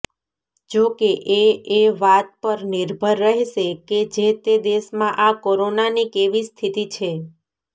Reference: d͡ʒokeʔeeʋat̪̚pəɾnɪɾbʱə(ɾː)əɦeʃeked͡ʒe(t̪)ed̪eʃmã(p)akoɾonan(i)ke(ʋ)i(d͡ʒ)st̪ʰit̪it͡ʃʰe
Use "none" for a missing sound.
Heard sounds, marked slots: ɾː, t̪, ʔ, i, ʋ, none

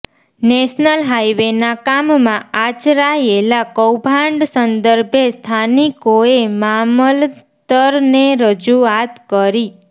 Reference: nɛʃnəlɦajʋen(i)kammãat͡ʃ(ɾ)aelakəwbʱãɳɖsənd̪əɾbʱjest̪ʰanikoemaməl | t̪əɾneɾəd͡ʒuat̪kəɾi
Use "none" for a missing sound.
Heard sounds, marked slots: a, ɾ

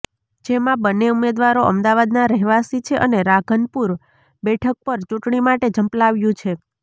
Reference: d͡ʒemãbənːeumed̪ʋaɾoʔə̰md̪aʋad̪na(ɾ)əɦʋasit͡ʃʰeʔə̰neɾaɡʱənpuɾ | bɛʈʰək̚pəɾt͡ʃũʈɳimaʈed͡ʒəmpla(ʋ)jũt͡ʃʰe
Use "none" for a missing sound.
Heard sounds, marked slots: ɾ, ʋ

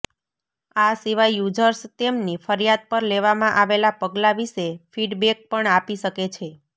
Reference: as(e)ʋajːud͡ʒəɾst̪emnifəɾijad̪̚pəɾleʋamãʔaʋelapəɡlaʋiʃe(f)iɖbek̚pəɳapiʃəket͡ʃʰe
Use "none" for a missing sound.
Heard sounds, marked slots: i, f

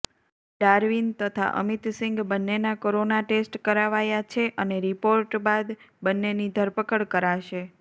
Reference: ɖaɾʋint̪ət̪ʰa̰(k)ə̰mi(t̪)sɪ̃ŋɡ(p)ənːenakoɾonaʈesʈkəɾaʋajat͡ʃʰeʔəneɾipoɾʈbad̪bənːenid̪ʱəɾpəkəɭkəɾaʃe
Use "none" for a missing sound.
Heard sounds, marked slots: ʔ, t̪, b

